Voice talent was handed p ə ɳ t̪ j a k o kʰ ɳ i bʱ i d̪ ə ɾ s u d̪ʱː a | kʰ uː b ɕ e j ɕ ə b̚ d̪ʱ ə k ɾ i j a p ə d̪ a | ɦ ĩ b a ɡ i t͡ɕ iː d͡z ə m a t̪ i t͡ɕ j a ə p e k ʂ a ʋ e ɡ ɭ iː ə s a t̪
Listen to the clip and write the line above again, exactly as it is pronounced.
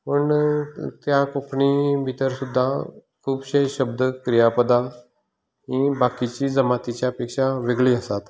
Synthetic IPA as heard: p ə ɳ t̪ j a k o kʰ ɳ i bʱ i t̪ ə ɾ s u d̪ʱː a | kʰ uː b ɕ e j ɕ ə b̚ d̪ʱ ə k ɾ i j a p ə d̪ a | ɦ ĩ b a k i t͡ɕ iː d͡z ə m a t̪ i t͡ɕ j a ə p e k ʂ a ʋ e ɡ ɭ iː ə s a t̪